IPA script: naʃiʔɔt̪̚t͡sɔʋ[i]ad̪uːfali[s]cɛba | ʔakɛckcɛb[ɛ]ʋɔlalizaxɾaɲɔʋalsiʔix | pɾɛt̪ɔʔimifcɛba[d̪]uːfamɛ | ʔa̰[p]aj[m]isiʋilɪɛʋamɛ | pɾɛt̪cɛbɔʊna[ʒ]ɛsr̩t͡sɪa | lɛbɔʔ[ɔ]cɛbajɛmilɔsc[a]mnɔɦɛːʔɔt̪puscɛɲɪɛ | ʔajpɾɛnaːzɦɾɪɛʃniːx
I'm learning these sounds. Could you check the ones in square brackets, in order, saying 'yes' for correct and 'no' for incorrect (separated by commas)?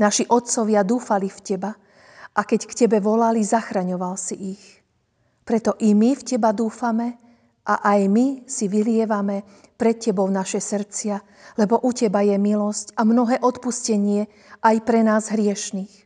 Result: no, no, yes, yes, no, yes, no, no, yes